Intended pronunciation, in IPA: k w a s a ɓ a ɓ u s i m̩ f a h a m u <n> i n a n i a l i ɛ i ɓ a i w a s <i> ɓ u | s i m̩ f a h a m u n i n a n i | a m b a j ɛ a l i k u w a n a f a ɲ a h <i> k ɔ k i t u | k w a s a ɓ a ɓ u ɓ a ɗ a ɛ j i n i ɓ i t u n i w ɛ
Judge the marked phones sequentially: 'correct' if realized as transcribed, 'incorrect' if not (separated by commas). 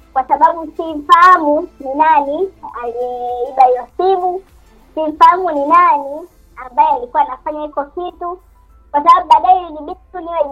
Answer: correct, correct, correct